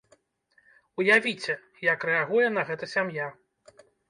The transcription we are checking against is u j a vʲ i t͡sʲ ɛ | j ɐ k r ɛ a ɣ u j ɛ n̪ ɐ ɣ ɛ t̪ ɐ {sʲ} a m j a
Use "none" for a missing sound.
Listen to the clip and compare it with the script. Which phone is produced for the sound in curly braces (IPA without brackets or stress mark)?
sʲ